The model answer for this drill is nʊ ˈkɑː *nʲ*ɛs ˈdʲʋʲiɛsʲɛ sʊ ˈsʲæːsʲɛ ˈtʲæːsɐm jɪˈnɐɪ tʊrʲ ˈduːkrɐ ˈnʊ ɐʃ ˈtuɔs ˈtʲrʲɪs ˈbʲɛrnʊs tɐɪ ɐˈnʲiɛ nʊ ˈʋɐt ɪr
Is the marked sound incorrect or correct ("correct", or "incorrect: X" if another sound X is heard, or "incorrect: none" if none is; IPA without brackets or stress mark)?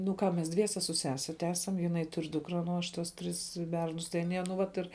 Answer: incorrect: mʲ